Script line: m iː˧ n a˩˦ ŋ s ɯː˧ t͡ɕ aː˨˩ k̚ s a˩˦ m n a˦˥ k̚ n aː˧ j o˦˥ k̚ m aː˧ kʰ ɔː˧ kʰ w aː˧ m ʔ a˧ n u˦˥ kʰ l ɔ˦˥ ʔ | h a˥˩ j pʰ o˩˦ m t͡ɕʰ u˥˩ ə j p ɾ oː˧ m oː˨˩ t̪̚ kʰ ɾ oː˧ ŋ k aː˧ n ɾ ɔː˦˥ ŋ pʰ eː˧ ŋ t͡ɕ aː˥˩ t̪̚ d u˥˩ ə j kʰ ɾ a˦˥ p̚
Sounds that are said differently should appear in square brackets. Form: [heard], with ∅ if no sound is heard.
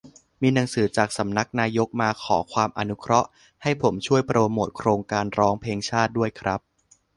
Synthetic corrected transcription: m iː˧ n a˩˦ ŋ s [ɯː˩˦] t͡ɕ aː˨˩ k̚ s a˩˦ m n a˦˥ k̚ n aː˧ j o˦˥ k̚ m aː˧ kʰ [ɔː˩˦] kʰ w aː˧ m ʔ a˧ n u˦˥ kʰ [ɾ] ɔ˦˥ ʔ | h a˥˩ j pʰ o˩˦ m t͡ɕʰ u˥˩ ə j p ɾ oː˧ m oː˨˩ t̪̚ kʰ ɾ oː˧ ŋ k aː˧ n ɾ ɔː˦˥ ŋ pʰ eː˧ ŋ [t͡ɕʰ] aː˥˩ t̪̚ d u˥˩ ə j kʰ ɾ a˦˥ p̚